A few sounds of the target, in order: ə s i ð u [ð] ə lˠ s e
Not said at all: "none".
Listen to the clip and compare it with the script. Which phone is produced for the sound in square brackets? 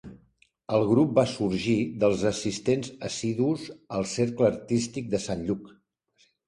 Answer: z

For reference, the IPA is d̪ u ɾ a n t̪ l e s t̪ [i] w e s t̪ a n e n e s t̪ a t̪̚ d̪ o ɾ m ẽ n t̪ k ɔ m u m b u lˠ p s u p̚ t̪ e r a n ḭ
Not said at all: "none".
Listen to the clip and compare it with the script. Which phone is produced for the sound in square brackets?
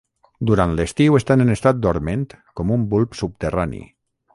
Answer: i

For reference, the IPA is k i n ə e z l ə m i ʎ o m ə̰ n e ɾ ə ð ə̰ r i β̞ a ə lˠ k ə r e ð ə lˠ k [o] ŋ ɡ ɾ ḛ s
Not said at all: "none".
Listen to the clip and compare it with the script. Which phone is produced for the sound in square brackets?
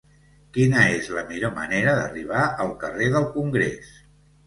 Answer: u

